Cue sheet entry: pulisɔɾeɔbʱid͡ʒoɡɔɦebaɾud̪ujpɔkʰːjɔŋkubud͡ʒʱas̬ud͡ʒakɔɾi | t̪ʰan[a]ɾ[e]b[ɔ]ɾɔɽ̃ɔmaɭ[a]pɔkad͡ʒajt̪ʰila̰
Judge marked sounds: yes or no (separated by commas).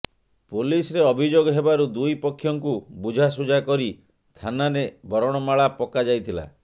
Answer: yes, yes, yes, yes